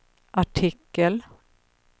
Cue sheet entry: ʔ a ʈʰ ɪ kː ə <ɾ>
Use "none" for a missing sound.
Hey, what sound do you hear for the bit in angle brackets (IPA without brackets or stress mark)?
l